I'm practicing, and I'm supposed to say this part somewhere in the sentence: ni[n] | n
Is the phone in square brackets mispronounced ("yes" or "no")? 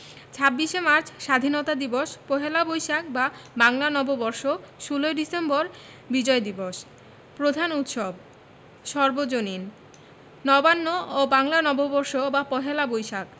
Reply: no